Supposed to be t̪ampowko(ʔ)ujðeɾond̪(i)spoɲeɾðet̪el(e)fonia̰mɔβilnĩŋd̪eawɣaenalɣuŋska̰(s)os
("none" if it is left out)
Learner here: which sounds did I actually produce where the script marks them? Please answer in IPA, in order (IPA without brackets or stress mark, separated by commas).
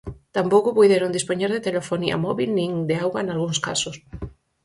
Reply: p, i, e, s